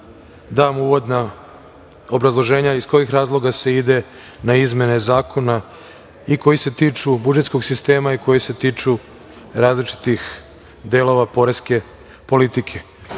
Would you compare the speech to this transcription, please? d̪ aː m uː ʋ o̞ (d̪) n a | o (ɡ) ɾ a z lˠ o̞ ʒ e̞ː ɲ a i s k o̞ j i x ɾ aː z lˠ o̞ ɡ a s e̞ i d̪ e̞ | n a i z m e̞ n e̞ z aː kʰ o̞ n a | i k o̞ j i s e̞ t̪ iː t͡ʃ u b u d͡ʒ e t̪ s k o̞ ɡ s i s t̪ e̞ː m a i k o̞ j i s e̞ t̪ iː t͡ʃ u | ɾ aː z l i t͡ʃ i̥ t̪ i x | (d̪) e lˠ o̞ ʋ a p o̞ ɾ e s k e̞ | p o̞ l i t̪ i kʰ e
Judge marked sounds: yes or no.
yes, no, yes

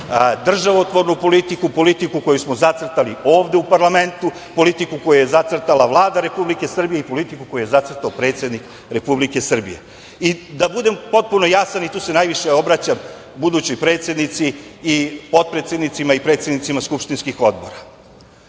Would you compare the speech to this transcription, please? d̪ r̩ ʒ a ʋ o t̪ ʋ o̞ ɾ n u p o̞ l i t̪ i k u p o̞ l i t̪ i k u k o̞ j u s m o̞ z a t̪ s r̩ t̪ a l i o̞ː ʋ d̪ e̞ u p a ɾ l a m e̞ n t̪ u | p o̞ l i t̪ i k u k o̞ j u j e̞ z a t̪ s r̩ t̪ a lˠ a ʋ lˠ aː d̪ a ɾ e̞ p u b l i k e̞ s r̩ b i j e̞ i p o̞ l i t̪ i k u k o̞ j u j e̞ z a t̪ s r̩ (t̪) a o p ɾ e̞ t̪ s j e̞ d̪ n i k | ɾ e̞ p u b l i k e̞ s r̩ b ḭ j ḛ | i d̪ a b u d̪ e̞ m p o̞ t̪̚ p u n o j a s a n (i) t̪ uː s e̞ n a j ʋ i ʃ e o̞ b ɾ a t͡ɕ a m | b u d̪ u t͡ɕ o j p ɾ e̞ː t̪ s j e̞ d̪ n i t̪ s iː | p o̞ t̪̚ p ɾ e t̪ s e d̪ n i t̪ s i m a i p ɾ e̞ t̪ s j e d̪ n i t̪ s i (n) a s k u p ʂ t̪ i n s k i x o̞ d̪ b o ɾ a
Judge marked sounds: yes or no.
yes, yes, no

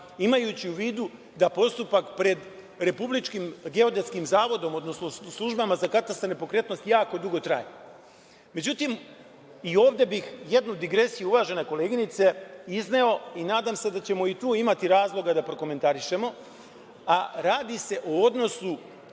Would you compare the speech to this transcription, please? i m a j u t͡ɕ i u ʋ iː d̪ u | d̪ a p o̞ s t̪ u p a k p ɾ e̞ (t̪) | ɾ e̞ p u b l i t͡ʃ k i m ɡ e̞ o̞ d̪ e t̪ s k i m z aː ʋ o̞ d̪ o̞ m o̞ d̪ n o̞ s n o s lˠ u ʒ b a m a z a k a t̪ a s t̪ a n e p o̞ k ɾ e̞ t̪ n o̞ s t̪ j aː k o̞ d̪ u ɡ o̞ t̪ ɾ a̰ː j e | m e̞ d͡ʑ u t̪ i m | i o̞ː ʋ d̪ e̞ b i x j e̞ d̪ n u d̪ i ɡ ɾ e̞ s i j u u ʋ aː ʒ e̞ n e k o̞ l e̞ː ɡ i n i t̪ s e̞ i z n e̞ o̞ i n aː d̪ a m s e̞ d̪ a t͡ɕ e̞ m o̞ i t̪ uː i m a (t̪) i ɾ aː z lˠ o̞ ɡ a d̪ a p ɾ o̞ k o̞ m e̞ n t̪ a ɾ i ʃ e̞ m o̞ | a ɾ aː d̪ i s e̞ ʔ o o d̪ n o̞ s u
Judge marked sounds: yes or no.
no, yes

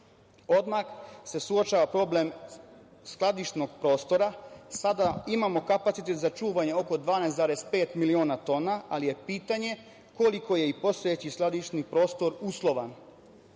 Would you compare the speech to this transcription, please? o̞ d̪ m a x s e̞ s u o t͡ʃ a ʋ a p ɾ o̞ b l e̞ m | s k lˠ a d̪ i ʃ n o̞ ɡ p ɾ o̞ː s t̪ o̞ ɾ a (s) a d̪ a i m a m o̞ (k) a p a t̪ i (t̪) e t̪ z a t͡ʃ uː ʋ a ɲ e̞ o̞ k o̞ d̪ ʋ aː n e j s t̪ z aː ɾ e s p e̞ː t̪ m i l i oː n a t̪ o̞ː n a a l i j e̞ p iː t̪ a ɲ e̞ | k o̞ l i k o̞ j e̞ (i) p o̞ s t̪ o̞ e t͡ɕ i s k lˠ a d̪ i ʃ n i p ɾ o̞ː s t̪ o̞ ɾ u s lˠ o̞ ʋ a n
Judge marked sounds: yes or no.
yes, yes, yes, yes

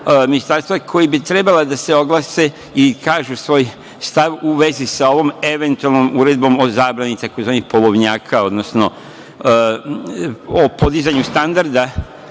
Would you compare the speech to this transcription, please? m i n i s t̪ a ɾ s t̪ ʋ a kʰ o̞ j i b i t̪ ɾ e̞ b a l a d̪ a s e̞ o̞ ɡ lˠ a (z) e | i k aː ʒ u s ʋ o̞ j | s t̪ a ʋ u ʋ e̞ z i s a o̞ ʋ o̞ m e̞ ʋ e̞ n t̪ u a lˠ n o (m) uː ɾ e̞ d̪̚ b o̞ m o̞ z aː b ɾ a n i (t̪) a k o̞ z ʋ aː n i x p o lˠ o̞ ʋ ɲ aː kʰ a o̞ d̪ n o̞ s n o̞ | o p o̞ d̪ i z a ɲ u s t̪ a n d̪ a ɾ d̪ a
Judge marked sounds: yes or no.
no, yes, yes

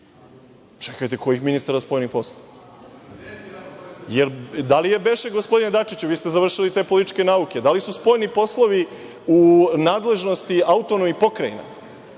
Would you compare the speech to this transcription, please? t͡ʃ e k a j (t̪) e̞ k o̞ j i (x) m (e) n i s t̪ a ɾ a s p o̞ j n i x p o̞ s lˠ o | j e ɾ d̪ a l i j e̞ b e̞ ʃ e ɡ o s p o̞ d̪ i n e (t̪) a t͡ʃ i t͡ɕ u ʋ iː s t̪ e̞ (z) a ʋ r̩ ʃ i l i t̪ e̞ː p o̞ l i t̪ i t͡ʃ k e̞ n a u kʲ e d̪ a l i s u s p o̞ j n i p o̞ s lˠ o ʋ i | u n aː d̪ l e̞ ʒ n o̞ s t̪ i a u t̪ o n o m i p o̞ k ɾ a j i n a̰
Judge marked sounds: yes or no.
yes, yes, no, no, yes

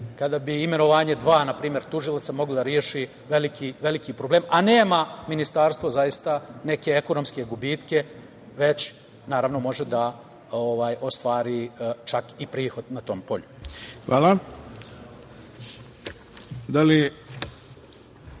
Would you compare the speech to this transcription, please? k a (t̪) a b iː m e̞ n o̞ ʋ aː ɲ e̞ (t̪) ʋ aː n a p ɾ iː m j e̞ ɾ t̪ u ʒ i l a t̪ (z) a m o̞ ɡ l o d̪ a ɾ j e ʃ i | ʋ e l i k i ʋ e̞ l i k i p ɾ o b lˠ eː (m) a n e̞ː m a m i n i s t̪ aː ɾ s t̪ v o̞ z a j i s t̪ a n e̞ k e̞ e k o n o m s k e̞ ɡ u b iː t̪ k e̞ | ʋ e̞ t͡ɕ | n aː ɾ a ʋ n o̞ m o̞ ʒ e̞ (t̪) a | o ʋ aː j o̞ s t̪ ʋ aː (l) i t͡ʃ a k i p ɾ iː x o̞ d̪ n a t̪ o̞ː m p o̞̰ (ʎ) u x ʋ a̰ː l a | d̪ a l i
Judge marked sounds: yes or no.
no, no, no, yes, no, no, yes

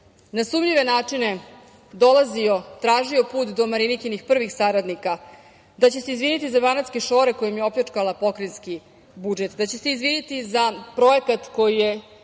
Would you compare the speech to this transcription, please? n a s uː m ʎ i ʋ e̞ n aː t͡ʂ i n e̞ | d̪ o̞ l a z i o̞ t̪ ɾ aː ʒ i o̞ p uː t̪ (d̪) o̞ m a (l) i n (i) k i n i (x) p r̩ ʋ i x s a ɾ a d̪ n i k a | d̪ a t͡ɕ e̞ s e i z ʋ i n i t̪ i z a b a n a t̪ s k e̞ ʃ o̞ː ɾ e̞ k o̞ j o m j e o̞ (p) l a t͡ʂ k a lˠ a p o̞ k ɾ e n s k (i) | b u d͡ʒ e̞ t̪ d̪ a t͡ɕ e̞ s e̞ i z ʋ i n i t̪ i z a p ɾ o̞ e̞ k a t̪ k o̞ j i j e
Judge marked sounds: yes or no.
yes, no, yes, yes, yes, yes

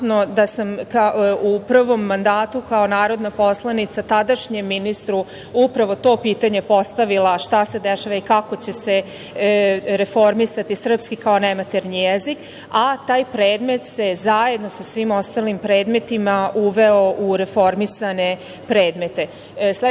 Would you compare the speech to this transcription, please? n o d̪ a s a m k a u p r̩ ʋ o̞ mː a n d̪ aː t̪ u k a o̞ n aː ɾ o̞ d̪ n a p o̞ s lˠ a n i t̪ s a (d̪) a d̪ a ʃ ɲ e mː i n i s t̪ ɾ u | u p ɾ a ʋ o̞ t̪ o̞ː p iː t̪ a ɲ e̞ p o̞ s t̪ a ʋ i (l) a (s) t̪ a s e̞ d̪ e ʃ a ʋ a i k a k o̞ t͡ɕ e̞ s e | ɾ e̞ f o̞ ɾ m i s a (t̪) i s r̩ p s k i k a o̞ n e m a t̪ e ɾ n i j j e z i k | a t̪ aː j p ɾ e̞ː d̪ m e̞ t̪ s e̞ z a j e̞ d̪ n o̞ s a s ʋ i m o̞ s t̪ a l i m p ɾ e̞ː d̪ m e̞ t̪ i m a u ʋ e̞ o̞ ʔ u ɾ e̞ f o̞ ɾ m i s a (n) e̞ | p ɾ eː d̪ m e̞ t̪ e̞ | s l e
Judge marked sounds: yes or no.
no, yes, no, yes, yes

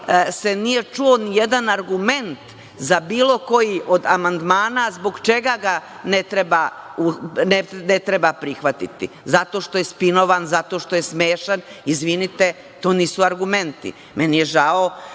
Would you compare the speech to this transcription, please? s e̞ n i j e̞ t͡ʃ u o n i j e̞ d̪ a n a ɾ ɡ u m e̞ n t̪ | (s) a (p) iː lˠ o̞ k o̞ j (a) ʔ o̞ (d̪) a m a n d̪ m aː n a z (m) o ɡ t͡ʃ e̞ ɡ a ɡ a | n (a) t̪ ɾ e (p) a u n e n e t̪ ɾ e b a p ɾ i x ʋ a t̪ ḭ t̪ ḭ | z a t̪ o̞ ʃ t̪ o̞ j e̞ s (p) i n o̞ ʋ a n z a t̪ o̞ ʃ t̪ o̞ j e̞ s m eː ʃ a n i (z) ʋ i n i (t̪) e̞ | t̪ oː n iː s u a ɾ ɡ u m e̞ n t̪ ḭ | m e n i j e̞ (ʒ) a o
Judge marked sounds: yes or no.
no, no, no, yes, no, no, no, yes, yes, yes, yes

